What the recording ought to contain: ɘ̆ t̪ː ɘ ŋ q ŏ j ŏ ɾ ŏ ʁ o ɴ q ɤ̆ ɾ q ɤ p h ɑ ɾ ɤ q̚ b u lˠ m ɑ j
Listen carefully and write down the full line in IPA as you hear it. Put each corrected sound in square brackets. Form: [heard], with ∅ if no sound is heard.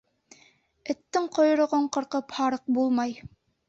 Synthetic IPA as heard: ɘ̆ t̪ː ɘ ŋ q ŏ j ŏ ɾ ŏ ʁ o ɴ q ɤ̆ ɾ q ɤ p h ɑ ɾ ɤ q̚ b u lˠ m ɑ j